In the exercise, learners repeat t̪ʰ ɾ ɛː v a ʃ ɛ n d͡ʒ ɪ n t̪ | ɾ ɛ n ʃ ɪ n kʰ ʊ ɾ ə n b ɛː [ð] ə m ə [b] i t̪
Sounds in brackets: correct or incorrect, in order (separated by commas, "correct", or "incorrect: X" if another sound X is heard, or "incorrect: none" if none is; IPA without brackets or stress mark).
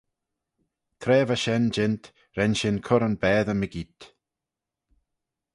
correct, incorrect: ɡ